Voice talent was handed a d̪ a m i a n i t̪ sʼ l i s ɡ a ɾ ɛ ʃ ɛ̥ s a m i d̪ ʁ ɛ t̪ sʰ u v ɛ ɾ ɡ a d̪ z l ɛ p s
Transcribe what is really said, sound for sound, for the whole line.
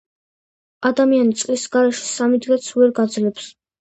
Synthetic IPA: a d̪ a m i a n i t̪ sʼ l i s ɡ a ɾ ɛ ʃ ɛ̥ s a m i d̪ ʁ ɛ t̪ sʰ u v ɛ ɾ ɡ a d̪ z l ɛ p s